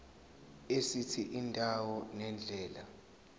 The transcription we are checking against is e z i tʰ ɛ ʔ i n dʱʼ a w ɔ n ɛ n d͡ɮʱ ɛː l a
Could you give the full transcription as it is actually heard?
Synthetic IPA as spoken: e s i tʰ i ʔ i n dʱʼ a w ɔ n ɛ n d͡ɮʱ ɛː l a